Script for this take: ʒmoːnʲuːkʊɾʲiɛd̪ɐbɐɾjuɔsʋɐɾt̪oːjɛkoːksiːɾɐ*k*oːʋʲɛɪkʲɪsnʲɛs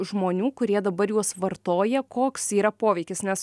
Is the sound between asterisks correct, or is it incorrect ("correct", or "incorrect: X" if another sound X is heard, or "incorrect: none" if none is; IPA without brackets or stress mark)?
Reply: incorrect: p